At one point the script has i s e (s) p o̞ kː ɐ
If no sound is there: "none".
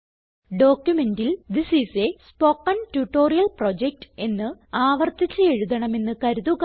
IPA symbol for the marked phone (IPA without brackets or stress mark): s